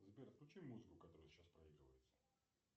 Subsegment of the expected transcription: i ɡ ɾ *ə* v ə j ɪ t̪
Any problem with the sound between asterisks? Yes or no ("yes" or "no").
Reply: no